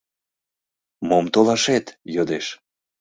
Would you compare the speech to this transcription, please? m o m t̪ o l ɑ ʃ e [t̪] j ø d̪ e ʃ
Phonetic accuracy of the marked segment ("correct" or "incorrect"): correct